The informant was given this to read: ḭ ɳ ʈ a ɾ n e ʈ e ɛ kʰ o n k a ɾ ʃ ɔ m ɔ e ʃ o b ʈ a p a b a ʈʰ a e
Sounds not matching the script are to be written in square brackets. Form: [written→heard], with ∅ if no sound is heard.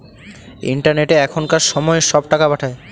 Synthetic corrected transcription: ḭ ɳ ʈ a ɾ n e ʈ e ɛ kʰ o n k a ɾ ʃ ɔ m ɔ e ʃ [o→ɔ] b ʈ a [p→k] a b a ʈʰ a e

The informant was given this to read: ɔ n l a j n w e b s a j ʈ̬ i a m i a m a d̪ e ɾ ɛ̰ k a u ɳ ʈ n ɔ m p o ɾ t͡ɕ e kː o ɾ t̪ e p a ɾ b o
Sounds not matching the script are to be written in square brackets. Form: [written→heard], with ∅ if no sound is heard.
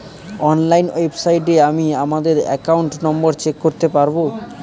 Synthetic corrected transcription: ɔ n l a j n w e b s a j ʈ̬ [i→e] a m i a m a d̪ e ɾ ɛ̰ k a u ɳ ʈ n ɔ m [p→b] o ɾ t͡ɕ e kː o ɾ t̪ e p a ɾ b o

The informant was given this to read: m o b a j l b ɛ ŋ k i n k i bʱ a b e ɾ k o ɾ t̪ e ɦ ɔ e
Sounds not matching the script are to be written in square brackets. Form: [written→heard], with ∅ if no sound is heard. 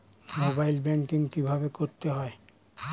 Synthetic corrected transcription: m o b a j l b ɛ ŋ k i [n→ŋ] k i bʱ a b e [ɾ→∅] k o ɾ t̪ e ɦ ɔ e

